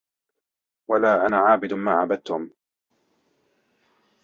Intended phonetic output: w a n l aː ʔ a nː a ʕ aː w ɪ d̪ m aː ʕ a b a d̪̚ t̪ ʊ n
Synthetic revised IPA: w a l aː ʔ a n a ʕ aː b ɪ d̪ m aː ʕ a b a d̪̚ t̪ ʊ m